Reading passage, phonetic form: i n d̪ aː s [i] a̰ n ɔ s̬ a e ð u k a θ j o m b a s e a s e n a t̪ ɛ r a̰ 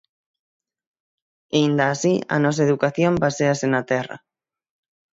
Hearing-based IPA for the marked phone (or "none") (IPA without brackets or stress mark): i